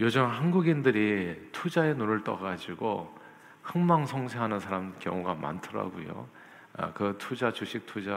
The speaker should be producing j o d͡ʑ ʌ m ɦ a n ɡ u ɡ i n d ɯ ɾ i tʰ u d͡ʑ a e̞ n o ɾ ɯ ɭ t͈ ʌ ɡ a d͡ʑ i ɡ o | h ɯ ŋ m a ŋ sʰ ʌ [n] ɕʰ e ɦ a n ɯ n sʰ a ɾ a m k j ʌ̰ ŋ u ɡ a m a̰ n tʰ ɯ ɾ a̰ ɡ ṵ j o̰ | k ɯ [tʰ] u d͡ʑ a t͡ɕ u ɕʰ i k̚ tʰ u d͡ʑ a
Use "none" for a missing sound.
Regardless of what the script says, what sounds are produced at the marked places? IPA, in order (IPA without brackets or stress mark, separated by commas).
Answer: ŋ, tʰ